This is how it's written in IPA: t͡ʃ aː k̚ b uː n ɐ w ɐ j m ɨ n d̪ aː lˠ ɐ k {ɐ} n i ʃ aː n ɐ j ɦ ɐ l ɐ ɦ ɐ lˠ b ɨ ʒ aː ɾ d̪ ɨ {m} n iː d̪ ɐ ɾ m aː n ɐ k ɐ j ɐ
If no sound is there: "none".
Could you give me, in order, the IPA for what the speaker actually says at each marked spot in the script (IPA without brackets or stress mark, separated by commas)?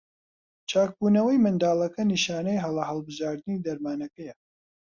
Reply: ɐ, none